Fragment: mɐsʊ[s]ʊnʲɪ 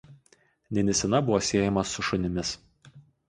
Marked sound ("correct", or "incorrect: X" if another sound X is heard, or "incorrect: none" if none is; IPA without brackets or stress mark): incorrect: ʃ